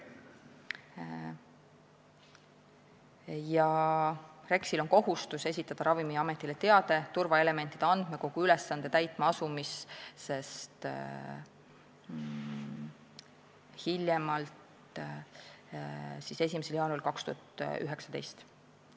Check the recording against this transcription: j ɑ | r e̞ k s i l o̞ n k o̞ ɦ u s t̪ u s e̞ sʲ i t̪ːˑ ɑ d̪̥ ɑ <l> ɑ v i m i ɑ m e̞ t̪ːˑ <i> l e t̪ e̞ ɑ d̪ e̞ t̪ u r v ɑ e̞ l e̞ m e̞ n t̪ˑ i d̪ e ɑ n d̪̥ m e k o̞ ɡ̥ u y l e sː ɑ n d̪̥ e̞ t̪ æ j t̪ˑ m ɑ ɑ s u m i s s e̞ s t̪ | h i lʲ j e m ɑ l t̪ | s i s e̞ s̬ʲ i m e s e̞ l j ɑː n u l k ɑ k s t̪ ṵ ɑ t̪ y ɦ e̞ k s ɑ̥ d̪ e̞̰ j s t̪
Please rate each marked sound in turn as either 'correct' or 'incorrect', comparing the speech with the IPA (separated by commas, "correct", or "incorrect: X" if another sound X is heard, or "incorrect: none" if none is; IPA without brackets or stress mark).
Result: incorrect: ɾ, correct